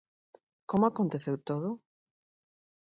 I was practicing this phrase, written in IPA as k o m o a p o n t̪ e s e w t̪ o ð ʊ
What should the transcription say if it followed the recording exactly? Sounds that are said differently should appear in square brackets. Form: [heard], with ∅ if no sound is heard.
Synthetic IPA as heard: k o m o a [k] o n t̪ e [θ] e w t̪ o ð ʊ